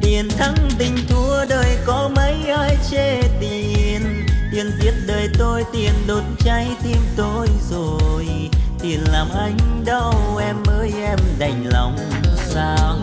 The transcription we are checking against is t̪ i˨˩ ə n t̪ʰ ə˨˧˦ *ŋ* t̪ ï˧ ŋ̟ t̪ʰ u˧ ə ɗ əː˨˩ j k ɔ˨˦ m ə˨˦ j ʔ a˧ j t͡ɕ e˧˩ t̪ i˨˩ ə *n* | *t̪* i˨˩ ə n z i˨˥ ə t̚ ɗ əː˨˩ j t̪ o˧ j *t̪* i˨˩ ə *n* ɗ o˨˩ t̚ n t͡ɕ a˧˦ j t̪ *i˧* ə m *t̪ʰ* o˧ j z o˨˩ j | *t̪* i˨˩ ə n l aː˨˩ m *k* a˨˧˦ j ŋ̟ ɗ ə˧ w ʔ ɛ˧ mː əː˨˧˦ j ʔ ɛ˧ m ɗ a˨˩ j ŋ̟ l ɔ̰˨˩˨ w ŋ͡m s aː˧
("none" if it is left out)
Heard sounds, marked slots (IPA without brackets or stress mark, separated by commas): ŋ, n, t̪, t̪, n, i˧, t̪, t̪, ʔ